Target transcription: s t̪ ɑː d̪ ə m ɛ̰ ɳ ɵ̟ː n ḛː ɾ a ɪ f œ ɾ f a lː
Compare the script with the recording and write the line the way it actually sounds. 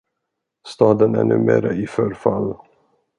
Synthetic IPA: s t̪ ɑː d̪ ə n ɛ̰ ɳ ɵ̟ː m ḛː ɾ a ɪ f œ ɾ f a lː